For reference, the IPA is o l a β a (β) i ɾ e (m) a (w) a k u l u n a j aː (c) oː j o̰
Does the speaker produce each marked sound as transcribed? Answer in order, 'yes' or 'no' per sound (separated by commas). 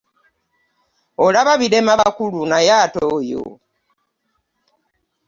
yes, yes, no, no